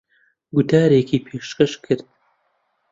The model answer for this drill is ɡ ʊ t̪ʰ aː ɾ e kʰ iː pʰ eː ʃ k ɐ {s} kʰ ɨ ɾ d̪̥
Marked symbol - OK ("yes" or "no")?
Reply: no